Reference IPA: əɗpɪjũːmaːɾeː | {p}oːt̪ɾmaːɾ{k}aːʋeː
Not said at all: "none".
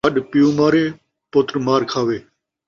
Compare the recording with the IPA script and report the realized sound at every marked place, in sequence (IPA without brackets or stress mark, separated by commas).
p, kʰ